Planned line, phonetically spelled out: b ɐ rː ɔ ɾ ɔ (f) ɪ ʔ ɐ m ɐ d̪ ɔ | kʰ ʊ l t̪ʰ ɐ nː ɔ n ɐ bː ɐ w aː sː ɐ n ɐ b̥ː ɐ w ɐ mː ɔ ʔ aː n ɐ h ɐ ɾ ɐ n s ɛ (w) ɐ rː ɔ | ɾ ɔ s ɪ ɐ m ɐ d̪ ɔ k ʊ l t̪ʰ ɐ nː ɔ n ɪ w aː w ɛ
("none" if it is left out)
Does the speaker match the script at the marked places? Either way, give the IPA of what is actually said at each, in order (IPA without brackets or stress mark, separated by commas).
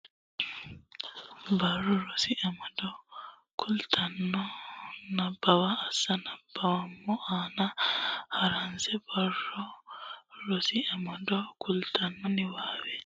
s, b